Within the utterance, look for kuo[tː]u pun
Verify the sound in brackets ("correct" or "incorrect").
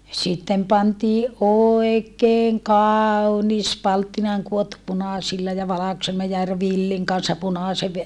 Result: correct